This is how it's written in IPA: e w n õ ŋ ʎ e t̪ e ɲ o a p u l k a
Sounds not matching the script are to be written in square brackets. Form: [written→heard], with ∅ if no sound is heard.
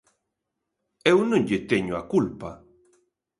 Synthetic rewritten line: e w n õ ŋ ʎ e t̪ e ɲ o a [p→k] u l [k→p] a